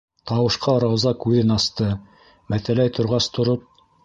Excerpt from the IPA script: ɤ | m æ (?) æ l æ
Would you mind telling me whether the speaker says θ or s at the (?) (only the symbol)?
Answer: θ